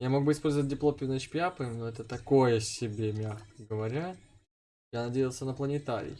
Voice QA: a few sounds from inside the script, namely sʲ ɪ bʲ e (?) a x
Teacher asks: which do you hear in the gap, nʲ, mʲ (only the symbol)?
mʲ